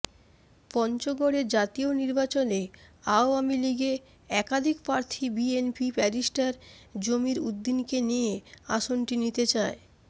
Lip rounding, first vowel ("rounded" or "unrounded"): rounded